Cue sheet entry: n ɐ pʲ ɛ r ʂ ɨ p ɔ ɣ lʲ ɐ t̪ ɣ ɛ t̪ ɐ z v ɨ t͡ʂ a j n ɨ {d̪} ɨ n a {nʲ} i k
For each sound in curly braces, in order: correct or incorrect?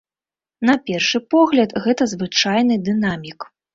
correct, incorrect

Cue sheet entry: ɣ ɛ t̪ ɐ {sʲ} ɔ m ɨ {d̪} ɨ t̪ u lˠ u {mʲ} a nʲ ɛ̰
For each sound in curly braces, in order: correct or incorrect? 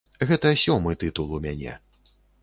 correct, incorrect, correct

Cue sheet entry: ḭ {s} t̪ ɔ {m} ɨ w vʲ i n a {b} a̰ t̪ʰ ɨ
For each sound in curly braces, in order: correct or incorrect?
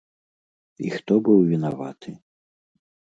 incorrect, incorrect, incorrect

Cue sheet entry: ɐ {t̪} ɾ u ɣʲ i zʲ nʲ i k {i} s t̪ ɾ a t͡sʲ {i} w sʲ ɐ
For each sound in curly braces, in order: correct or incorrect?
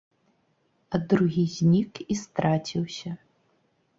incorrect, correct, correct

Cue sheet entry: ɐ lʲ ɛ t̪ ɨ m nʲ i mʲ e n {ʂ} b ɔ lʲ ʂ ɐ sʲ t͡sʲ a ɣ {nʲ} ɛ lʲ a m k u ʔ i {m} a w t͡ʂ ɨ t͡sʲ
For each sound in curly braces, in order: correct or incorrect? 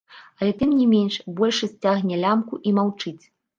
correct, correct, correct

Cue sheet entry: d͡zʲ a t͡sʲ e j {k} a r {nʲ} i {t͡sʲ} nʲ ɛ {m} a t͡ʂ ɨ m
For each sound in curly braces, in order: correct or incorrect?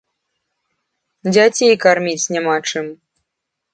correct, incorrect, correct, correct

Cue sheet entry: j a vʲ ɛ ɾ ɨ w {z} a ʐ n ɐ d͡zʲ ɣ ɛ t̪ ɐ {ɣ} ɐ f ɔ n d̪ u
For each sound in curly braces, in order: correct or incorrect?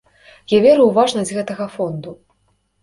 incorrect, correct

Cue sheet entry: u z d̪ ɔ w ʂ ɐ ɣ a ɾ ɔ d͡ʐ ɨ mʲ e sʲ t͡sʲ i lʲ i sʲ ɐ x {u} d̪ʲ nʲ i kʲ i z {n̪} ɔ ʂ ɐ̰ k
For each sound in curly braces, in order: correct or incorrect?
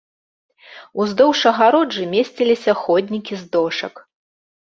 incorrect, incorrect

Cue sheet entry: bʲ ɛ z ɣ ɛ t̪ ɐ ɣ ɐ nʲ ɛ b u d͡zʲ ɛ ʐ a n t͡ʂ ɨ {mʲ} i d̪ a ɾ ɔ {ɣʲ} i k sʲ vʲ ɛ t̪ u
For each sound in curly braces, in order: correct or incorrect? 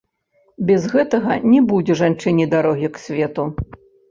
incorrect, correct

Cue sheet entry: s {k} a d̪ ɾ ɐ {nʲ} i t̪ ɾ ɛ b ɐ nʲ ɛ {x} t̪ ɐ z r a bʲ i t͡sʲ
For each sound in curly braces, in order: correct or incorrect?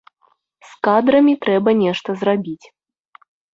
correct, incorrect, incorrect

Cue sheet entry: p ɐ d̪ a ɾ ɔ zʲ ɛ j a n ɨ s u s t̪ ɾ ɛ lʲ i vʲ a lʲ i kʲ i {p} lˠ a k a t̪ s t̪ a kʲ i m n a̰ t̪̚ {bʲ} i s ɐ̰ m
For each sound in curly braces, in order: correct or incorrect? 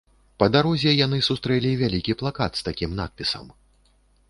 correct, incorrect

